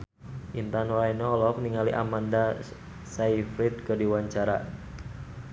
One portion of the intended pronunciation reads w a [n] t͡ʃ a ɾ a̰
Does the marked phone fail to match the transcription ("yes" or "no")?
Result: yes